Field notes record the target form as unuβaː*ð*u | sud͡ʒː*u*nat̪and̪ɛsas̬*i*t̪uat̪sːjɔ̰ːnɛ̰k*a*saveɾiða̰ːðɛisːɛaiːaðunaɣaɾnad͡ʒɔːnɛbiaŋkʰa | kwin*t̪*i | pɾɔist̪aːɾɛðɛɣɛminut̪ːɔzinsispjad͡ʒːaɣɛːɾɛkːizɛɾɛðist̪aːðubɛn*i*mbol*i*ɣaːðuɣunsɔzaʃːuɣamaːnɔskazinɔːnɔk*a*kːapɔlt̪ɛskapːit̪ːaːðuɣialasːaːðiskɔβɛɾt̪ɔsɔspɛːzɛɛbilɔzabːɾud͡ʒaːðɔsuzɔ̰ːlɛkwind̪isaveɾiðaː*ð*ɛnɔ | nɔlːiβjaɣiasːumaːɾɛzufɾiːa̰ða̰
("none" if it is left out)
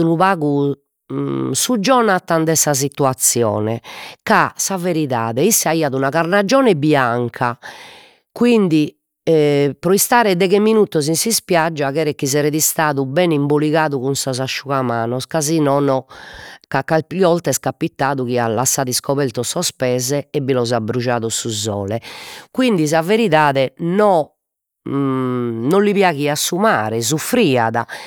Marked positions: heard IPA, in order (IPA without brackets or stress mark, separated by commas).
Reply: ɣ, ɔ, i, a, d̪, i, i, a, ð